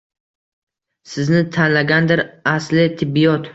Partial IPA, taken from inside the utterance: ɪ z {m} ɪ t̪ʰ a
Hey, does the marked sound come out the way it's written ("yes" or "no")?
no